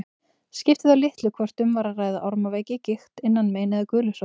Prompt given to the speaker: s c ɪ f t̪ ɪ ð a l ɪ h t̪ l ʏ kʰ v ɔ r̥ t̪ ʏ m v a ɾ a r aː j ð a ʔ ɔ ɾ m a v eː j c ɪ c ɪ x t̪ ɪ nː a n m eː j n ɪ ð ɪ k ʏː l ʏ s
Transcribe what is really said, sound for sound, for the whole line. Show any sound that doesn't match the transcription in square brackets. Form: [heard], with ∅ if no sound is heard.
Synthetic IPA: s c ɪ f t̪ ɪ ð a l ɪ h t̪ l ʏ kʰ v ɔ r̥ t̪ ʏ m v a ɾ a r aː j ð a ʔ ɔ ɾ m a v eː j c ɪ c ɪ x t̪ ɪ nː a n m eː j n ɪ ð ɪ k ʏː l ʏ s